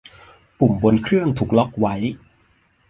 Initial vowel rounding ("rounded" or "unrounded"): rounded